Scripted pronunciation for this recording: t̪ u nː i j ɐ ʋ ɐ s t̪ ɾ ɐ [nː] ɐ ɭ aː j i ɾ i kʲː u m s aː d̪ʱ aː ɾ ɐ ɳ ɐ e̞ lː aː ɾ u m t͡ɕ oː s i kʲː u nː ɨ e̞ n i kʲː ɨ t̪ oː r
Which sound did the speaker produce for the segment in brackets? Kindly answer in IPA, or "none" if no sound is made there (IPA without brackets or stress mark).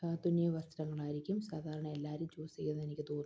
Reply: ŋː